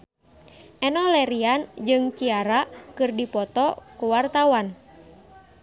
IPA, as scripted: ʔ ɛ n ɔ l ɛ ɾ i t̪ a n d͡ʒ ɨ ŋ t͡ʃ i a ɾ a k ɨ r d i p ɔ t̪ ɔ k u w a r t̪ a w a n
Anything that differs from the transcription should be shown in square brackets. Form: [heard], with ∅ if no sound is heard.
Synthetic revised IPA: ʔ ɛ n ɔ l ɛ ɾ i [∅] a n d͡ʒ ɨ ŋ t͡ʃ i a ɾ a k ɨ r d i p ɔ t̪ ɔ k u w a r t̪ a w a n